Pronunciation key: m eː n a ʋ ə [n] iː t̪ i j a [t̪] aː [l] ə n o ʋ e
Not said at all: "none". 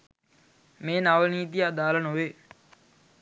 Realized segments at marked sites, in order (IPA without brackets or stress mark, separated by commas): n, d̪, l